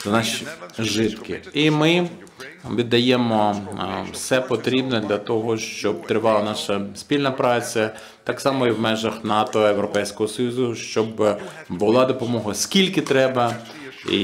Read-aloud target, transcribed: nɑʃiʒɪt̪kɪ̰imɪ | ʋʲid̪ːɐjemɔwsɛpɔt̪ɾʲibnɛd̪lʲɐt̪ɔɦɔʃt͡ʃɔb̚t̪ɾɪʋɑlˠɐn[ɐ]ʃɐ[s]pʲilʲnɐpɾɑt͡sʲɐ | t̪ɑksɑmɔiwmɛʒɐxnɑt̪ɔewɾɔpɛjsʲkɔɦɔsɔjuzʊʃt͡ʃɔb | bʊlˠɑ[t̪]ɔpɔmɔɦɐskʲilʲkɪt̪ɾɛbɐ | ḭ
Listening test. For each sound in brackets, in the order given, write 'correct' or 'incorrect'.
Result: incorrect: ɑ, correct, incorrect: d̪

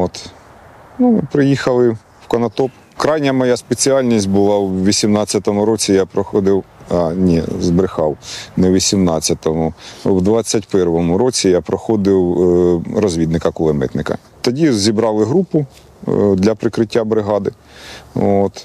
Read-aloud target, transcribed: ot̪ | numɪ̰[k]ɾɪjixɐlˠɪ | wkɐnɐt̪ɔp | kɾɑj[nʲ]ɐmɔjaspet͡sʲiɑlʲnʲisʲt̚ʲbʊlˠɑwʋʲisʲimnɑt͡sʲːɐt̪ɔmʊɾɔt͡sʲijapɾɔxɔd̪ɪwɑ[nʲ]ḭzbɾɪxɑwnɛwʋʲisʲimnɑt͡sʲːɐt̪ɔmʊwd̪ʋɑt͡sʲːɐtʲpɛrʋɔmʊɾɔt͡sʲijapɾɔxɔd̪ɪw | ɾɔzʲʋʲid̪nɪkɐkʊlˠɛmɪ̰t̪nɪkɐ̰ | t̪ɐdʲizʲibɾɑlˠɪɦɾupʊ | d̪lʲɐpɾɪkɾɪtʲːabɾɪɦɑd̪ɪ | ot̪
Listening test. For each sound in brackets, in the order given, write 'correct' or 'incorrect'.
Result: incorrect: p, correct, correct

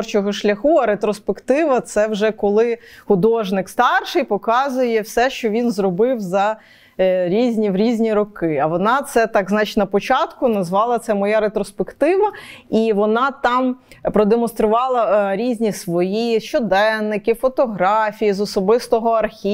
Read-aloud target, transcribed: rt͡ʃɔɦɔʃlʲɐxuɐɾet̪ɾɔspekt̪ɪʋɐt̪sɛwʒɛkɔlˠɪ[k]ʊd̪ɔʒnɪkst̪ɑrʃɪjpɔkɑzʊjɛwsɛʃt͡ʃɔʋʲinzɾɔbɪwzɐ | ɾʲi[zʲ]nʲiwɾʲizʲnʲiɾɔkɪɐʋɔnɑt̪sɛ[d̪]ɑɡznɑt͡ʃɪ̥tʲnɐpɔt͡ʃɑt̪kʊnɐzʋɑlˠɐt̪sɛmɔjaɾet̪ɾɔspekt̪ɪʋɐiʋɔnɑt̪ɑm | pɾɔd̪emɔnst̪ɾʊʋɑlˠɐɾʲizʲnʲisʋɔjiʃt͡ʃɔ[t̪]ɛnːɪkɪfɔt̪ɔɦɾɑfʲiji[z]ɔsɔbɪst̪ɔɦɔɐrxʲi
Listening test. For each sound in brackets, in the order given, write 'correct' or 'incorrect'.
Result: incorrect: x, correct, incorrect: t̪, incorrect: d̪, correct

